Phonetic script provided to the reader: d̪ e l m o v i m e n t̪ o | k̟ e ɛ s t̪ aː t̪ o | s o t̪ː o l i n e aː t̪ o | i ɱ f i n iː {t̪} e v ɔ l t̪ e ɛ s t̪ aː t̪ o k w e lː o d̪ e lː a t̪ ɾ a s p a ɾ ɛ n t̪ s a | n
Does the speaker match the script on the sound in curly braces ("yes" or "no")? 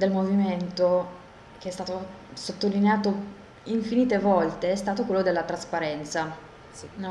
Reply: yes